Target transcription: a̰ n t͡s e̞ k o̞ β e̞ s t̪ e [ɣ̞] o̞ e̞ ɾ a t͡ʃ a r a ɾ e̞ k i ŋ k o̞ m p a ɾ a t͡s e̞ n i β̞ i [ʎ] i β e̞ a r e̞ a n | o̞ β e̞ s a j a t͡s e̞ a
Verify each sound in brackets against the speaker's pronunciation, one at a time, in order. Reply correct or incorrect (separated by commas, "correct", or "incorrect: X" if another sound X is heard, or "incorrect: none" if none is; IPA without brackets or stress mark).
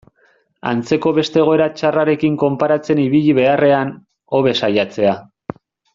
correct, correct